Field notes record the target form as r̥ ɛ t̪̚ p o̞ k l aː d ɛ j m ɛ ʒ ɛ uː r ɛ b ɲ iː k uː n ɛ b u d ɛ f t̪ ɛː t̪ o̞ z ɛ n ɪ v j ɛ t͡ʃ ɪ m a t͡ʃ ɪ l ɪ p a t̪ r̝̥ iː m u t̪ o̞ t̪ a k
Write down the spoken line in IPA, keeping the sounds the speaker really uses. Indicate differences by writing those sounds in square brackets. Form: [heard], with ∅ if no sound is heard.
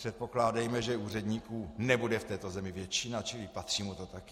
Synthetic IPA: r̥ ɛ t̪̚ p o̞ k l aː d ɛ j m ɛ ʒ ɛ uː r ɛ [d] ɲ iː k uː n ɛ b u d ɛ f t̪ ɛː t̪ o̞ z ɛ [m] ɪ v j ɛ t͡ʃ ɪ [n] a t͡ʃ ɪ l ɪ p a t̪ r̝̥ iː m u t̪ o̞ t̪ a k